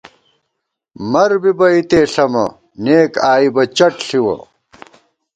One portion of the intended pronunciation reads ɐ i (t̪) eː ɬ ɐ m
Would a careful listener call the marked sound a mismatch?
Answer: no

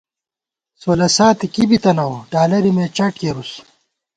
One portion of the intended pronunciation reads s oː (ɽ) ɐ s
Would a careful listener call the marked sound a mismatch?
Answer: yes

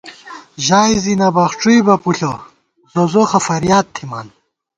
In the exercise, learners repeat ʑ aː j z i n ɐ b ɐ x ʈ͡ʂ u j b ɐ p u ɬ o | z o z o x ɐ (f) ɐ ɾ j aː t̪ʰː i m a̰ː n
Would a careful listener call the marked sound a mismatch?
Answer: no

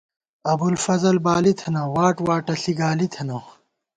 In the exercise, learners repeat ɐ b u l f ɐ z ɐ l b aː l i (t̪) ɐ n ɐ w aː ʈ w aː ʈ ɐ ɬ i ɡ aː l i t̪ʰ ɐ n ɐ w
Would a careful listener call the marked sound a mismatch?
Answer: yes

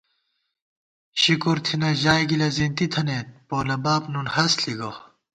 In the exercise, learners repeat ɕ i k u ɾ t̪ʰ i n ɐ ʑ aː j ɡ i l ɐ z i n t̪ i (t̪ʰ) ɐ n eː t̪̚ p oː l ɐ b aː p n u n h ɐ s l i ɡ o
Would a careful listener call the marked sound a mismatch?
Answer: no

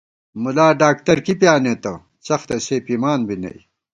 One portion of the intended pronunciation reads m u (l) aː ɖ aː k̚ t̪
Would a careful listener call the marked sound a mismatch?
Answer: no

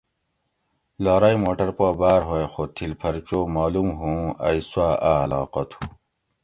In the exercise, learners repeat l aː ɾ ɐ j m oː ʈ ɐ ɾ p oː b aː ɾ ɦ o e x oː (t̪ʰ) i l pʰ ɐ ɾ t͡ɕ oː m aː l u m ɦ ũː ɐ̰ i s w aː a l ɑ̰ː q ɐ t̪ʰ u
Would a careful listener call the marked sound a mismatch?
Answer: no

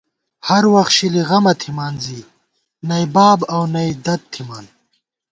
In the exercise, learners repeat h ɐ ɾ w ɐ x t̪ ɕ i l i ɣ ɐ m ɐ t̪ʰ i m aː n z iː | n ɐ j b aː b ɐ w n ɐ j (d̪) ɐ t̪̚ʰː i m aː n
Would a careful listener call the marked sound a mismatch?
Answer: no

